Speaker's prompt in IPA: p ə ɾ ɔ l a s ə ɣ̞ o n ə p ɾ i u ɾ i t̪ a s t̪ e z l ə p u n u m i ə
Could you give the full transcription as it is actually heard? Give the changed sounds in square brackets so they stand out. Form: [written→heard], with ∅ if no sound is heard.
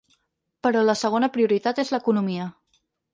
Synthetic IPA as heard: p ə ɾ ɔ l [a→ə] s ə ɣ̞ o n ə p ɾ i u ɾ i t̪ a [s→∅] t̪ e z l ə [p→k] u n u m i ə

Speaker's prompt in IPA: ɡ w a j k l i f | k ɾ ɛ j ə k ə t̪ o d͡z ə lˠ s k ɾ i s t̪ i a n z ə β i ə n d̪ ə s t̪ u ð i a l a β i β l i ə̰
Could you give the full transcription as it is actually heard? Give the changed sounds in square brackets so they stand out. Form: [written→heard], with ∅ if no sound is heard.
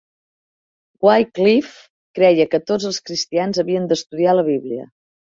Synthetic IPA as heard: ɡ w a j k l i f | k ɾ ɛ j ə k ə t̪ o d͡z ə lˠ s k ɾ i s t̪ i a n z ə β i ə n d̪ ə s t̪ u ð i a l [a→ə] β i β l i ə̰

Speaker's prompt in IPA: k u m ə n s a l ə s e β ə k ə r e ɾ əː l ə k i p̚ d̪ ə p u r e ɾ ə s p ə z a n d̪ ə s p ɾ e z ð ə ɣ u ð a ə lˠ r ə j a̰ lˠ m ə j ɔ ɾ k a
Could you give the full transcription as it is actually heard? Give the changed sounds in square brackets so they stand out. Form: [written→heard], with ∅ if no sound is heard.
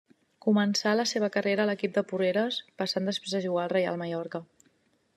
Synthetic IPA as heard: k u m ə n s a l ə s e β ə k ə r e ɾ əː l ə k i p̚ d̪ ə p u r e ɾ ə s p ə [z→s] a n d̪ ə s p ɾ e z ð ə [ɣ→ʒ] u [ð→ɣ] a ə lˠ r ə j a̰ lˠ m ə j ɔ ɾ k [a→ə]

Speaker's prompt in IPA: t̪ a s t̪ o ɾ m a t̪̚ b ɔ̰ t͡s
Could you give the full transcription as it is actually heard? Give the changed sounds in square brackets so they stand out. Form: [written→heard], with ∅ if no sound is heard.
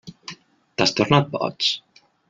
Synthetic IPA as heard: t̪ a s t̪ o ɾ [m→n] a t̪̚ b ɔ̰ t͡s

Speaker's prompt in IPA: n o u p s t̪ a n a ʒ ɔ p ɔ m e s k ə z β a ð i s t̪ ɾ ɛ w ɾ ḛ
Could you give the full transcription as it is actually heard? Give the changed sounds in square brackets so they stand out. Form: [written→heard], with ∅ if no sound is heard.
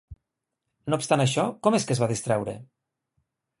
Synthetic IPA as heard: n o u p s t̪ a n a [ʒ→ʃ] ɔ [p→k] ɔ m e s k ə z β a ð i s t̪ ɾ ɛ w ɾ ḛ

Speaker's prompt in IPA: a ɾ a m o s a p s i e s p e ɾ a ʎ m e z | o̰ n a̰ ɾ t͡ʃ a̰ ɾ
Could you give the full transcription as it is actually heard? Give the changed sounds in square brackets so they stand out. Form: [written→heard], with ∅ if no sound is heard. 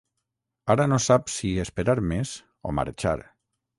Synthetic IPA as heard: a ɾ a [m→n] o s a p s i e s p e ɾ a [ʎ→ɾ] m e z | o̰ [n→m] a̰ ɾ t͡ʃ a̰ ɾ

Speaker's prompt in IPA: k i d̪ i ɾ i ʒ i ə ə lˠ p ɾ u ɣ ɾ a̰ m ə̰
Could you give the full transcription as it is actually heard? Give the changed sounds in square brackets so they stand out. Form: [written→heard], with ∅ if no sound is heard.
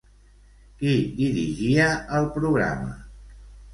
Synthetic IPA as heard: k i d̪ i ɾ i ʒ i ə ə lˠ p ɾ u ɣ ɾ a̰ m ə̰

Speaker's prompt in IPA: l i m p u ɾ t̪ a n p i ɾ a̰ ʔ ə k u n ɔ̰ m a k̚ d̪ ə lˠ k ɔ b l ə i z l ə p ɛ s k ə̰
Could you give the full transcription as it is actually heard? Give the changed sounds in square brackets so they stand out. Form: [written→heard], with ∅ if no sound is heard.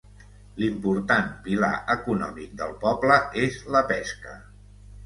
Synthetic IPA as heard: l i m p u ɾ t̪ a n p i [ɾ→l] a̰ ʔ ə k u n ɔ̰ m [a→i] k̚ d̪ ə lˠ [k→p] ɔ b l ə [i→e] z l ə p ɛ s k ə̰

